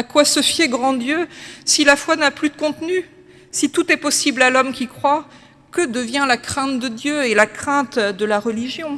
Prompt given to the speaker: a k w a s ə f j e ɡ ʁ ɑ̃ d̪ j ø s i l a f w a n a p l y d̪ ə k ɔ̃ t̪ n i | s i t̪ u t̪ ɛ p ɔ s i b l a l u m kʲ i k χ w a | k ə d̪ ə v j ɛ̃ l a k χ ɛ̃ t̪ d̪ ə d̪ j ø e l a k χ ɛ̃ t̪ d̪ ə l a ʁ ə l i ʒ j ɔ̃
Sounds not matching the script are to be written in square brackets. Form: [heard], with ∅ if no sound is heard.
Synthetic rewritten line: a k w a s ə f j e ɡ ʁ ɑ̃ d̪ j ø s i l a f w a n a p l y d̪ ə k ɔ̃ t̪ n [y] | s i t̪ u t̪ ɛ p ɔ s i b l a l [ɔ] m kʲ i k χ w a | k ə d̪ ə v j ɛ̃ l a k χ ɛ̃ t̪ d̪ ə d̪ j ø e l a k χ ɛ̃ t̪ d̪ ə l a ʁ ə l i ʒ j ɔ̃